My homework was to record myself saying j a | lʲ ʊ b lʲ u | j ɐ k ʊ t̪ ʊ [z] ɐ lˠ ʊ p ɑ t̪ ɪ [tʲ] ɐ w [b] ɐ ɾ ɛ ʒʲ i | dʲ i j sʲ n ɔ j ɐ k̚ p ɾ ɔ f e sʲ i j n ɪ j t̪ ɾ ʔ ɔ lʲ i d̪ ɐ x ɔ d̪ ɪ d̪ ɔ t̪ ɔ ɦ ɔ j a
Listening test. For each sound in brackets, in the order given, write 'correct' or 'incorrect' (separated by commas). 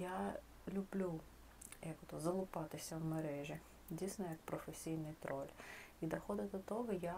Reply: correct, incorrect, incorrect